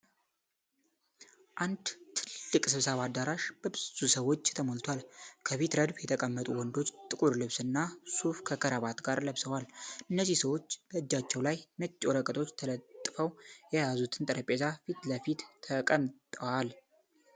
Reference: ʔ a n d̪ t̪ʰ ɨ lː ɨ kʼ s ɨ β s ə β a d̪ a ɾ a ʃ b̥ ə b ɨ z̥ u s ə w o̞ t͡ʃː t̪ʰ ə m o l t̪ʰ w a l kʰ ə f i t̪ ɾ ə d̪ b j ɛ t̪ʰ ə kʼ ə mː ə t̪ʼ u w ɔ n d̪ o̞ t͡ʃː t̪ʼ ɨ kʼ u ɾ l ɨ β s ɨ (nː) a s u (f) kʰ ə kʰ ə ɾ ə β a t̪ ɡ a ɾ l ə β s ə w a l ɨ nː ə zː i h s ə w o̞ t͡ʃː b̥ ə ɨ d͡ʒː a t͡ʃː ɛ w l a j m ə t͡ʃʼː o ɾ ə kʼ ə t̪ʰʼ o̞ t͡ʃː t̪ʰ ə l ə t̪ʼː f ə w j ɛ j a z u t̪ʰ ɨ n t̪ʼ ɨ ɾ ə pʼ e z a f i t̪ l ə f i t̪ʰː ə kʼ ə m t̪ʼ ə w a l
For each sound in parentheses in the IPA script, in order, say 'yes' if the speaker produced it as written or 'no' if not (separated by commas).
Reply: yes, yes